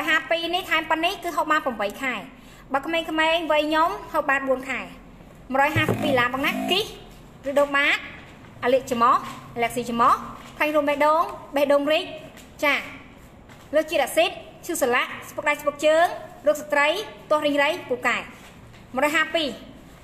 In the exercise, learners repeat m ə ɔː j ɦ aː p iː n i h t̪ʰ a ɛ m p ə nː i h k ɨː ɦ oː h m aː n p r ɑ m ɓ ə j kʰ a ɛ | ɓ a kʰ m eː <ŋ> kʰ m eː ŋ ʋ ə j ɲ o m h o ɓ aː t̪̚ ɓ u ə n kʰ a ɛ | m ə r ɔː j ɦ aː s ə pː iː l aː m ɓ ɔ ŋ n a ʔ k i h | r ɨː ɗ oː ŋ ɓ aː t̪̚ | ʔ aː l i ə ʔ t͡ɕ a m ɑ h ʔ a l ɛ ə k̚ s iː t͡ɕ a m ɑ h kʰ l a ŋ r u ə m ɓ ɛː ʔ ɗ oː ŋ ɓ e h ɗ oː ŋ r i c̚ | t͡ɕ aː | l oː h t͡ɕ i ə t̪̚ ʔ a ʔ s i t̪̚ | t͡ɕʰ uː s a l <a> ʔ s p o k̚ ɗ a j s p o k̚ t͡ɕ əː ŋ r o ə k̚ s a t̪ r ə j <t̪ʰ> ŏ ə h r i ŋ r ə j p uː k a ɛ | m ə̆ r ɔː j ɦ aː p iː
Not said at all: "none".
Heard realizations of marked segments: ŋ, a, t̪

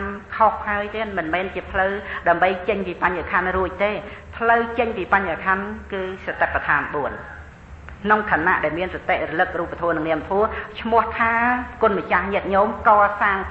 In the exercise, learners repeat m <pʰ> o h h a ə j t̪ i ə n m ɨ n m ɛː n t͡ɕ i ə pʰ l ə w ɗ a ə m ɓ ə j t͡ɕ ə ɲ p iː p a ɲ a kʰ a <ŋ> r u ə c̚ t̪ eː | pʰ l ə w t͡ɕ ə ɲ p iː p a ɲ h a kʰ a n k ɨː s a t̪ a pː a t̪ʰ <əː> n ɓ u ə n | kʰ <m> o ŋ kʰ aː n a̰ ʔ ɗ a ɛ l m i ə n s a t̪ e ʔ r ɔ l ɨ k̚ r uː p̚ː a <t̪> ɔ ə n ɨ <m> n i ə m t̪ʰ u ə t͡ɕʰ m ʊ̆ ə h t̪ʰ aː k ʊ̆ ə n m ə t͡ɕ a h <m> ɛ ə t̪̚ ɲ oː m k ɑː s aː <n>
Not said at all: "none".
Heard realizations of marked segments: kʰ, n, aː, n, t̪ʰ, ŋ, ɲ, ŋ

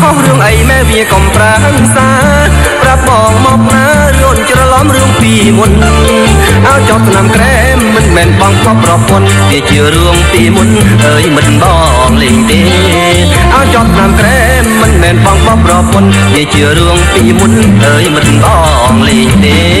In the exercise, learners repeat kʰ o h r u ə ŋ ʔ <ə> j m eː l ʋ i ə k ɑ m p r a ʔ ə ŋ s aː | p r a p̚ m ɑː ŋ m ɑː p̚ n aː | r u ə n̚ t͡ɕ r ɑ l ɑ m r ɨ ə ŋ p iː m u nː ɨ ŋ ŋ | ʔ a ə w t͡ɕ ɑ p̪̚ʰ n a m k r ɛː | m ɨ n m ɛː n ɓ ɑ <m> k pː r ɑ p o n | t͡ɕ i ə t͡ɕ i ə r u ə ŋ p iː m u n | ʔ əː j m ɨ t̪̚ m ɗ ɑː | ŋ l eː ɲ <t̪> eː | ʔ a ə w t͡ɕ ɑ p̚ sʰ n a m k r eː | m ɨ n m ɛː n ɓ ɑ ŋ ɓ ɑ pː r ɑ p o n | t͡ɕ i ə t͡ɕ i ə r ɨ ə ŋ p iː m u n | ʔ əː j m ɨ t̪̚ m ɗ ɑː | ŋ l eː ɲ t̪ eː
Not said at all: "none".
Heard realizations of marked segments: ə, ŋ, t̪

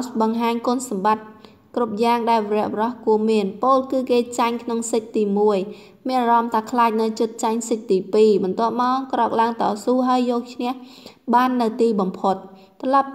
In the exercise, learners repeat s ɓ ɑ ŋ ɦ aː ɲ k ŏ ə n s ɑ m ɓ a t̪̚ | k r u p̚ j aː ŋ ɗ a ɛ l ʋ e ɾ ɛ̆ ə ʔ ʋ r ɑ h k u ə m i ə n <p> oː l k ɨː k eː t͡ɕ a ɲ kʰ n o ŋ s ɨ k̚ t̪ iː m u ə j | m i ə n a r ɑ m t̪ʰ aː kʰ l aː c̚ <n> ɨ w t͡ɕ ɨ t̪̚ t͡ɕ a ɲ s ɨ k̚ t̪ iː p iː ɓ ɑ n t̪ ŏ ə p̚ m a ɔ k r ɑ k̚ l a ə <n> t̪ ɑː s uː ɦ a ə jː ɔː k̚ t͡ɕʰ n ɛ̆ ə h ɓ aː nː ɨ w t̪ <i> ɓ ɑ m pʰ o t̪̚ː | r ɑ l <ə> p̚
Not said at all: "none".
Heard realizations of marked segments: p, n, ŋ, iː, ɑ

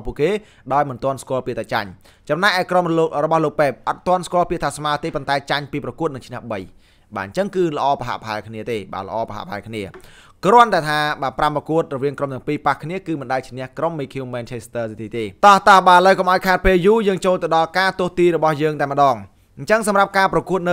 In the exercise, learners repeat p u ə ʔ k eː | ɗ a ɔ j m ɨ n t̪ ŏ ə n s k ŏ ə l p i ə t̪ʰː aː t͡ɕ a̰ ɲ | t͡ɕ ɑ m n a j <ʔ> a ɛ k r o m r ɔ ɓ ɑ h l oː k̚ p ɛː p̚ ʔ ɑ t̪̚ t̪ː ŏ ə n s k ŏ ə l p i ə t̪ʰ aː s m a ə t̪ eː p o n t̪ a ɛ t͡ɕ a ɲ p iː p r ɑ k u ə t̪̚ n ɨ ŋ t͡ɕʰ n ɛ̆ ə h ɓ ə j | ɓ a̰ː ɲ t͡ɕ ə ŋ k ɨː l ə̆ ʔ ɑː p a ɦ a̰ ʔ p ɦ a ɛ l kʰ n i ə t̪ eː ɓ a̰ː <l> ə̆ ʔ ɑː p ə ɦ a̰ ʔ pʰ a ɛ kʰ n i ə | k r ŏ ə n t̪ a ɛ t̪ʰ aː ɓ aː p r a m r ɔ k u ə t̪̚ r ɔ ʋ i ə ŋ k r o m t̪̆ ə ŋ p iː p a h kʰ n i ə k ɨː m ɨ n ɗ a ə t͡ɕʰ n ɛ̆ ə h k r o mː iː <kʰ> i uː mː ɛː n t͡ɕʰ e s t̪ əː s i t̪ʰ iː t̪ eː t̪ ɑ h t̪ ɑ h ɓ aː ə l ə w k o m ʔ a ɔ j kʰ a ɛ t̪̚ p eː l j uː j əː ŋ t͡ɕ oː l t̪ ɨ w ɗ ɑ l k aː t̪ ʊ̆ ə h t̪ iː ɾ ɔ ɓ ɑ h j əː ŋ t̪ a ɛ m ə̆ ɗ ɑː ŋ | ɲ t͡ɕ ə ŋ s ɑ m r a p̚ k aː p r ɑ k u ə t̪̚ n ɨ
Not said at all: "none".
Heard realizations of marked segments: ʔ, l, kʰ

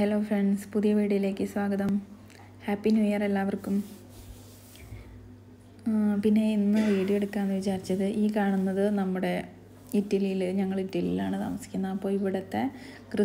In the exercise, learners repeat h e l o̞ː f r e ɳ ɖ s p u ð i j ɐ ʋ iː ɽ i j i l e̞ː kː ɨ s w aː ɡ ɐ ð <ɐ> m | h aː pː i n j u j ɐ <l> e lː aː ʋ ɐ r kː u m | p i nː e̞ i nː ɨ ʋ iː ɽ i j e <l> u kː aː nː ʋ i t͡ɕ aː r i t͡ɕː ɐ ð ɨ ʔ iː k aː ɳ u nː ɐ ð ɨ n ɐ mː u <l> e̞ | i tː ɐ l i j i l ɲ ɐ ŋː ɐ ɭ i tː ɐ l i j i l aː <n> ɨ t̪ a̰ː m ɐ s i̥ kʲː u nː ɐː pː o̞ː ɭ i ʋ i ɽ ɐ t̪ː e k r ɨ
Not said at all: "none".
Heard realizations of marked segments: ɐ, r, ɽ, ɽ, ɳ

